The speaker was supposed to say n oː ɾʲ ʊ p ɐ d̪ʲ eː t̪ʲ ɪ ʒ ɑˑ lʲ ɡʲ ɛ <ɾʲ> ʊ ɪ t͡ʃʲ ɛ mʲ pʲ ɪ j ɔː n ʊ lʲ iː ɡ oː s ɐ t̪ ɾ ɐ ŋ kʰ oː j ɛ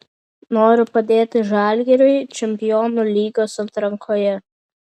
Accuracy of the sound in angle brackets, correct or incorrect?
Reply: correct